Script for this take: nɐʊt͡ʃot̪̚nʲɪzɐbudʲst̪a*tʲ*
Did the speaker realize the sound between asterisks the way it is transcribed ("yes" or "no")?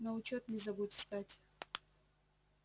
yes